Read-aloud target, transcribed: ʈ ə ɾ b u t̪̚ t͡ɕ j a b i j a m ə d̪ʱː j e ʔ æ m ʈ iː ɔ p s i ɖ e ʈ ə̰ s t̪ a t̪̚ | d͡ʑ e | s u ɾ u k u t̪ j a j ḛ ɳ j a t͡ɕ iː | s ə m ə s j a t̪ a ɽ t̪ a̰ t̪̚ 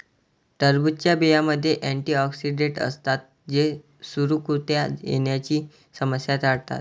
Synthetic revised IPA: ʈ ə ɾ b u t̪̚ t͡ɕ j a b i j a m ə d̪ʱː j e ʔ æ ɳ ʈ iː ɔ k s i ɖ e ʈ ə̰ s t̪ a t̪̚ | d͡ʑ e | s u ɾ u k u t̪ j a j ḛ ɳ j a t͡ɕ iː | s ə m ə s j a t̪ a ɽ t̪ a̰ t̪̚